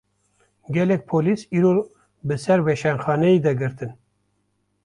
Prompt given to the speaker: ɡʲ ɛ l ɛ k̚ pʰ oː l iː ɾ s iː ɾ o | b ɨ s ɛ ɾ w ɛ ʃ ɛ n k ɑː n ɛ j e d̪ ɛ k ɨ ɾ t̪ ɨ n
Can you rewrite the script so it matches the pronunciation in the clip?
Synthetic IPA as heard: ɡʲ ɛ l ɛ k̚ pʰ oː l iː s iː ɾ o | b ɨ s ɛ ɾ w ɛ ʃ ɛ n x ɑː n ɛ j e d̪ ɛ ɡ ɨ ɾ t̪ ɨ n